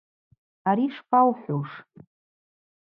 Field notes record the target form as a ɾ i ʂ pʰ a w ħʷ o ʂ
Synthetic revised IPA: a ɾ i ʂ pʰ a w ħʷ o ʂ